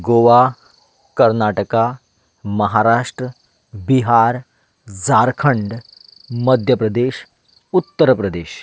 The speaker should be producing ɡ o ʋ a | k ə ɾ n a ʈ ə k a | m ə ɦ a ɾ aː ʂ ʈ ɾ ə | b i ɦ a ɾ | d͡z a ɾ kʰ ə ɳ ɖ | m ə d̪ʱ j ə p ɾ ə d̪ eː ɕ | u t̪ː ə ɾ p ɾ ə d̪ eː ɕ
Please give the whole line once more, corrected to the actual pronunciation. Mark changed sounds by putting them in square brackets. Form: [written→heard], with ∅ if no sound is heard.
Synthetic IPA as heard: ɡ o ʋ a | k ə ɾ n a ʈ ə k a | m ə ɦ a ɾ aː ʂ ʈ ɾ ə | b i ɦ a ɾ | d͡z a ɾ kʰ ə ɳ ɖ | m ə d̪ʱ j ə p ɾ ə d̪ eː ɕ | u t̪ː ə ɾ p ɾ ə d̪ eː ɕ